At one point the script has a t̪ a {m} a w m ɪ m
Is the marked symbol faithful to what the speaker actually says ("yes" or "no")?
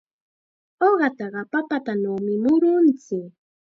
no